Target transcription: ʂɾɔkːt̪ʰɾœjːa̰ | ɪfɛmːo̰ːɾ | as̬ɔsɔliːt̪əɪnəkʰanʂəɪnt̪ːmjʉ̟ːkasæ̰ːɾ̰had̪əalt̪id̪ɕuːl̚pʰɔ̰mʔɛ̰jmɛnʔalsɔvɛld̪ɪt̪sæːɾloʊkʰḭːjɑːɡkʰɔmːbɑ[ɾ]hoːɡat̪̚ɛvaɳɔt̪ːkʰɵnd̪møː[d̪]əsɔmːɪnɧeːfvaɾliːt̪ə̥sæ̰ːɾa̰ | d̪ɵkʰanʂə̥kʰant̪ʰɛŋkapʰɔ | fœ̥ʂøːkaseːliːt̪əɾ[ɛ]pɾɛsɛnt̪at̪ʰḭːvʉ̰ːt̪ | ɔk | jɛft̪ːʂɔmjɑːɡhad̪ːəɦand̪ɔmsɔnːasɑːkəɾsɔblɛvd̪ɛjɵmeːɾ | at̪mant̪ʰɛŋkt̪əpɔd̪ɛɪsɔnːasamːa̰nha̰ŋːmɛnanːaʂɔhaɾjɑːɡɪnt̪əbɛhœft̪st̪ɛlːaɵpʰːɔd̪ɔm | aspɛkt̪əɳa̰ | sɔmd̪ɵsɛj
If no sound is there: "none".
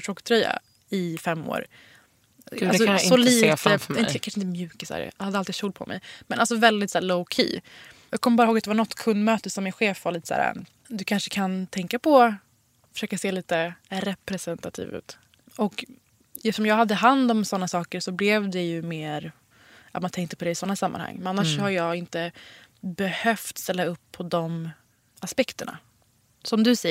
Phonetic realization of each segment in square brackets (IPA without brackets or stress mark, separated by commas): ɾ, t̪, ɛ